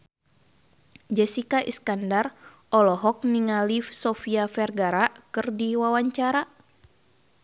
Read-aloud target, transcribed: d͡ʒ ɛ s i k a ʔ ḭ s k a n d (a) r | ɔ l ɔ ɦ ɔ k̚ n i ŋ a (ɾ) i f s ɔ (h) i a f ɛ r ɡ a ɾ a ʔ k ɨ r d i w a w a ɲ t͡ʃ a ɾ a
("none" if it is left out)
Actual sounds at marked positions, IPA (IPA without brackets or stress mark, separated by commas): a, l, f